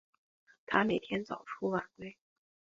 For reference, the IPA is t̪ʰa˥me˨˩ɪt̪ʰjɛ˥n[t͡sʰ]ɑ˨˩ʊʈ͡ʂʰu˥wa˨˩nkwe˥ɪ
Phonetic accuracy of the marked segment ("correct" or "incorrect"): incorrect